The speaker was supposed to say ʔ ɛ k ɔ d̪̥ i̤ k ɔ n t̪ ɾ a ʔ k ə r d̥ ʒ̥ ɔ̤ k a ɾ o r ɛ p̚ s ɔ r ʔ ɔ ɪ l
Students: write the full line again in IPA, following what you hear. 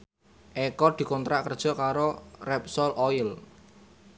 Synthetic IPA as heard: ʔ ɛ k ɔ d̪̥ i̤ k ɔ n t̪ ɾ a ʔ k ə r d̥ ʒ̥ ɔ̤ k a ɾ o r ɛ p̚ s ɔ l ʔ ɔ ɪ l